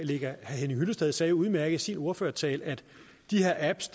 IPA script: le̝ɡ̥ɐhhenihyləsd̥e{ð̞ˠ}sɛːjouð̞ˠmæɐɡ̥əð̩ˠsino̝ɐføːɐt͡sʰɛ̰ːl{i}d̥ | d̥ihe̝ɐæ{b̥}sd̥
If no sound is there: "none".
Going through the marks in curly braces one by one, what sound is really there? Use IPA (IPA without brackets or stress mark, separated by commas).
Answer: ð̞ˠ, æ, b̥